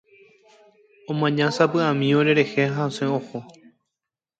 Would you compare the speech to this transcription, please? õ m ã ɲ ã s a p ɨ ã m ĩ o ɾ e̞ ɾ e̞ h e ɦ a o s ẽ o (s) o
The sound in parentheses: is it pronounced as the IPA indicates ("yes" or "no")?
no